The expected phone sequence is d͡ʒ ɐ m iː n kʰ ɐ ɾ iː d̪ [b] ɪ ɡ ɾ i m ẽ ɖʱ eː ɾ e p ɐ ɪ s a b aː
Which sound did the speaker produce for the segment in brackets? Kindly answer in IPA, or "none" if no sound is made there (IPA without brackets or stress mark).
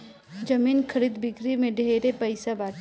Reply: b